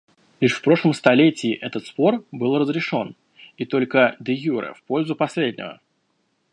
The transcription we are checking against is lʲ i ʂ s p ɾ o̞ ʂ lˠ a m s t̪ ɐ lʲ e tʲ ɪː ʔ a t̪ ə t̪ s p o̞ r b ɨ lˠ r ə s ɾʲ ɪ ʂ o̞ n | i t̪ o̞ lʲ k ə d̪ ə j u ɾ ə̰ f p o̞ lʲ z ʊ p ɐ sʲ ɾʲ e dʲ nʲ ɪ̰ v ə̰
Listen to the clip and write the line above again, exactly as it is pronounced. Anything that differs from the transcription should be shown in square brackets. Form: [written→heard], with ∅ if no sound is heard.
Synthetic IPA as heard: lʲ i ʂ [s→f] p ɾ o̞ ʂ lˠ [a→ə] m s t̪ ɐ lʲ e tʲ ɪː ʔ [a→ɛ] t̪ ə t̪ s p o̞ r b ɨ lˠ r ə [s→z] ɾʲ ɪ ʂ o̞ n | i t̪ o̞ lʲ k ə d̪ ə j u ɾ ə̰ f p o̞ lʲ z ʊ p ɐ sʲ [ɾʲ→lʲ] e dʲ nʲ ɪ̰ v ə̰

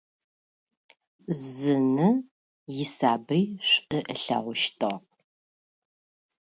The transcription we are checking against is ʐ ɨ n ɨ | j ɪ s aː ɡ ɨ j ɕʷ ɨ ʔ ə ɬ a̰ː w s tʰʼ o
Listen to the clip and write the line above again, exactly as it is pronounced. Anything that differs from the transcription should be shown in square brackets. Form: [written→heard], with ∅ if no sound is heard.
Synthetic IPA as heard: [ʐ→z] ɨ n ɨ | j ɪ s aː [ɡ→b] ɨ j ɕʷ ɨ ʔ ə ɬ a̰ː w [s→ʃ] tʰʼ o

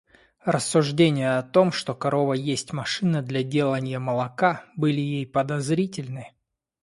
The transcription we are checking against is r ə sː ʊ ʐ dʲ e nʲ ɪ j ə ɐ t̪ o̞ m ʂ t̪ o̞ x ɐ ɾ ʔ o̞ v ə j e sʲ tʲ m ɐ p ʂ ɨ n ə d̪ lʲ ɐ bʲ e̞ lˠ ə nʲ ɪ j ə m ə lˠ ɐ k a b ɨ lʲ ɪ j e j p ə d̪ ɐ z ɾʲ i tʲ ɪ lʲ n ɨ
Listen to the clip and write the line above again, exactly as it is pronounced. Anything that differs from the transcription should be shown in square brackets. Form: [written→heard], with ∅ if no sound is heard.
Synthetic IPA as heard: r ə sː ʊ ʐ dʲ e nʲ ɪ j ə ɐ t̪ o̞ m ʂ t̪ o̞ [x→k] ɐ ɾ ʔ o̞ v ə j e sʲ tʲ m ɐ [p→∅] ʂ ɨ n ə d̪ lʲ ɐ [bʲ→dʲ] e̞ lˠ ə nʲ ɪ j ə m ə lˠ ɐ k a b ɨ lʲ ɪ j e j p ə d̪ ɐ z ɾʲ i tʲ ɪ lʲ n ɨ

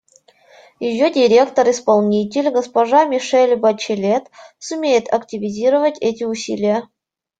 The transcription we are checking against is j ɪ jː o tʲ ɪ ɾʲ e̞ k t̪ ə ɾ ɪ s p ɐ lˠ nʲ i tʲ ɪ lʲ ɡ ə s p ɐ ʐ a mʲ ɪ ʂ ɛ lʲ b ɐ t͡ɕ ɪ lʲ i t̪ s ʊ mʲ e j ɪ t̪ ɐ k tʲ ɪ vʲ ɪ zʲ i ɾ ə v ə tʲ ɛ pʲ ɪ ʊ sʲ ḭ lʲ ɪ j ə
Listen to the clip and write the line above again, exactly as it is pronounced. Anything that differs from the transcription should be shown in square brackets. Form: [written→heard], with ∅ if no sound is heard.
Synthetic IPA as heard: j ɪ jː o [tʲ→dʲ] ɪ ɾʲ e̞ k t̪ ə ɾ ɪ s p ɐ lˠ nʲ i tʲ ɪ lʲ ɡ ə s p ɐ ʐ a mʲ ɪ ʂ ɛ lʲ b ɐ t͡ɕ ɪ lʲ [i→e] t̪ s ʊ mʲ e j ɪ t̪ ɐ k tʲ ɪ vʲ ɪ zʲ i ɾ ə v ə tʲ ɛ [pʲ→tʲ] ɪ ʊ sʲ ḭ lʲ ɪ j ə

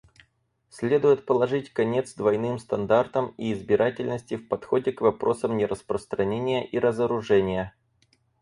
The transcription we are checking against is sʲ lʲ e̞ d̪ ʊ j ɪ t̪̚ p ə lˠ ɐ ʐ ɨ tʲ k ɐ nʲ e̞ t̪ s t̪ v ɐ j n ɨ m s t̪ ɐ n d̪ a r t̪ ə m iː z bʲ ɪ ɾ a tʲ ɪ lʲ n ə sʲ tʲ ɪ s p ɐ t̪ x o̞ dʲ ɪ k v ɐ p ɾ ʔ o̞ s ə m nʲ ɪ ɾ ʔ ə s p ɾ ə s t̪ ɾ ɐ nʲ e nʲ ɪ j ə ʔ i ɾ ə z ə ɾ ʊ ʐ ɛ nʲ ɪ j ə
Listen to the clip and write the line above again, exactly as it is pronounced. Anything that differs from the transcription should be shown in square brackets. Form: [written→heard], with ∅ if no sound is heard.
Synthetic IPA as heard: sʲ lʲ e̞ d̪ ʊ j ɪ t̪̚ p ə lˠ ɐ ʐ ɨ tʲ k ɐ nʲ e̞ t̪ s [t̪→d̪] v ɐ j n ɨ m s t̪ ɐ n d̪ a r t̪ ə m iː z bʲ ɪ ɾ a tʲ ɪ lʲ n ə sʲ tʲ ɪ [s→f] p ɐ t̪ x o̞ dʲ ɪ k v ɐ p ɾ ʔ o̞ s ə m nʲ ɪ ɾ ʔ ə s p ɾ ə s t̪ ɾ ɐ nʲ e nʲ ɪ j ə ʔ i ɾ ə z ə ɾ ʊ ʐ ɛ nʲ ɪ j ə

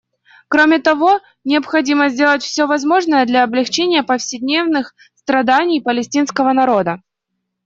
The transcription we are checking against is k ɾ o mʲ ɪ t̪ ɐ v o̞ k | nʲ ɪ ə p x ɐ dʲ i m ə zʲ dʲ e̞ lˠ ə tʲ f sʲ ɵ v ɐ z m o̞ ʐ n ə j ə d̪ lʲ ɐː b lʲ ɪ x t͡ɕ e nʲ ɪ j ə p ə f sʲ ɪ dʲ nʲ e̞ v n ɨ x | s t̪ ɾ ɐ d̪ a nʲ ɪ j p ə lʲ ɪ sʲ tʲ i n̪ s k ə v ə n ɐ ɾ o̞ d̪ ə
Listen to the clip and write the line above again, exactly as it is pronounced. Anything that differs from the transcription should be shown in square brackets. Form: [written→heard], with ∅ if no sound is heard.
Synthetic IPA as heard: k ɾ o mʲ ɪ t̪ ɐ v o̞ [k→∅] | nʲ ɪ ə p x ɐ dʲ i m ə zʲ dʲ e̞ lˠ ə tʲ f sʲ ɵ v ɐ z m o̞ ʐ n ə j ə d̪ lʲ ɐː b lʲ ɪ x t͡ɕ e nʲ ɪ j ə p ə f sʲ ɪ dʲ nʲ e̞ v n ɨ x | s t̪ ɾ ɐ d̪ a nʲ ɪ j p ə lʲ ɪ sʲ tʲ i n̪ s k ə v ə n ɐ ɾ o̞ d̪ ə

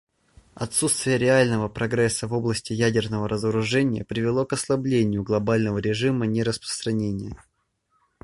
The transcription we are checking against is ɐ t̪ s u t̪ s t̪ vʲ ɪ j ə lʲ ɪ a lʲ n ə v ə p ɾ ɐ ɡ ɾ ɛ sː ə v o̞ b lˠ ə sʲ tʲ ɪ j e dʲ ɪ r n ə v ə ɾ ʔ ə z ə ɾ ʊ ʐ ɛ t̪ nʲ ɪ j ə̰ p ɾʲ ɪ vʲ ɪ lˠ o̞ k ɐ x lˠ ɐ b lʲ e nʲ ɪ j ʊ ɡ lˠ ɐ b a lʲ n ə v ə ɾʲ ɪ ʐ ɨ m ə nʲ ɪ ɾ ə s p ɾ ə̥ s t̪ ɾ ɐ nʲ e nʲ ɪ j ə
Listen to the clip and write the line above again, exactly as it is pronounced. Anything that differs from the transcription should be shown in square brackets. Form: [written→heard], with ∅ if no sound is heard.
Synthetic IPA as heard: ɐ t̪ s u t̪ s t̪ vʲ ɪ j ə [lʲ→ɾʲ] ɪ a lʲ n ə v ə p ɾ ɐ ɡ ɾ ɛ sː ə v o̞ b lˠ ə sʲ tʲ ɪ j [e→æ] dʲ ɪ r n ə v ə ɾ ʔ ə z ə ɾ ʊ ʐ ɛ [t̪→∅] nʲ ɪ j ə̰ p ɾʲ ɪ vʲ ɪ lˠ o̞ k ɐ [x→s] lˠ ɐ b lʲ e nʲ ɪ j ʊ ɡ lˠ ɐ b a lʲ n ə v ə ɾʲ ɪ ʐ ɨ m ə nʲ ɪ ɾ ə s p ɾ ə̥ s t̪ ɾ ɐ nʲ e nʲ ɪ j ə

